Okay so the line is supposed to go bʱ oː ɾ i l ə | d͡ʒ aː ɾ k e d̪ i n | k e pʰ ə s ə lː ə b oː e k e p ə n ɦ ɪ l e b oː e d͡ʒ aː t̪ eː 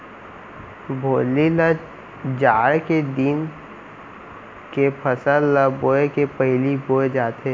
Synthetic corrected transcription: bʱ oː l i l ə | d͡ʒ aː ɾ k e d̪ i n | k e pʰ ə s ə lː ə b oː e k e p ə ɦ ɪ l i b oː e d͡ʒ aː t̪ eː